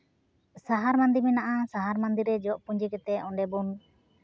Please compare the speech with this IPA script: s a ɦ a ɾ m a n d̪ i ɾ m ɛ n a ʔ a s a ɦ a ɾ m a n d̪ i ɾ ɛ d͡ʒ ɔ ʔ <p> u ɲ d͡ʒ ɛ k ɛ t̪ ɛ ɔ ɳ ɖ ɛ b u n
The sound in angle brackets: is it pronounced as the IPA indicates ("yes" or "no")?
yes